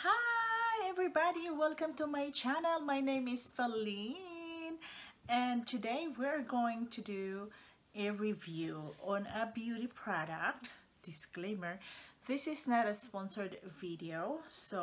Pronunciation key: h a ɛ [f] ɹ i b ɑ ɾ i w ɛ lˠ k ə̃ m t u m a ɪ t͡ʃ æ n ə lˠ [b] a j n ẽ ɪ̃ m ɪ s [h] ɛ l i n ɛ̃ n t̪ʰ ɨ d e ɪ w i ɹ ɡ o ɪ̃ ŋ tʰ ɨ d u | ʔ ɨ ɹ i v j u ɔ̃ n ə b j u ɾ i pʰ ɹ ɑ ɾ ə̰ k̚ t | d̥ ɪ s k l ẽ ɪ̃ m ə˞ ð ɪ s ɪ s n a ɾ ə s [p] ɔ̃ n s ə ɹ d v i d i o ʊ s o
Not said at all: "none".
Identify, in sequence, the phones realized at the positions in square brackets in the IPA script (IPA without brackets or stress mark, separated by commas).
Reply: v, m, f, p